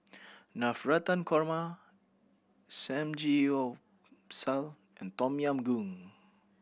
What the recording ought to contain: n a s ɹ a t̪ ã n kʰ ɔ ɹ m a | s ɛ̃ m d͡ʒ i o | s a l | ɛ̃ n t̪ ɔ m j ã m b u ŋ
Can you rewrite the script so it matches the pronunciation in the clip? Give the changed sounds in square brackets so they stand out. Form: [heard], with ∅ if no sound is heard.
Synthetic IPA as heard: n a [f] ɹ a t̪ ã n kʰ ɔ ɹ m a | s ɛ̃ m d͡ʒ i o | s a l | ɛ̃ n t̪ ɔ m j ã m [ɡ] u ŋ